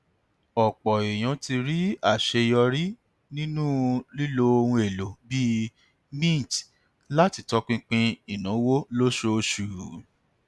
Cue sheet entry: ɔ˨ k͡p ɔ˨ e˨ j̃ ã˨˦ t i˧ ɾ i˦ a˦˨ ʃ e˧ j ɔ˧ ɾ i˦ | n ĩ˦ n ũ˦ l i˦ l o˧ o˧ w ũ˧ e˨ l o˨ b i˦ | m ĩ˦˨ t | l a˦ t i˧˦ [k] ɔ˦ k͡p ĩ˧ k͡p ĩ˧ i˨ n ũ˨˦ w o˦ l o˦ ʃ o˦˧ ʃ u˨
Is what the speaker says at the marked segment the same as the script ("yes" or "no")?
no